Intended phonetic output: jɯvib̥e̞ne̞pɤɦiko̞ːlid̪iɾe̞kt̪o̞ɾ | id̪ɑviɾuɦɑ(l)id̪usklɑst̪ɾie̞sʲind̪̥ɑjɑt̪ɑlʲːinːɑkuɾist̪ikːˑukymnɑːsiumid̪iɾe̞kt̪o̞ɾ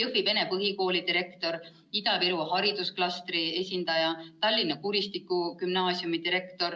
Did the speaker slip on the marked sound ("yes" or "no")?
yes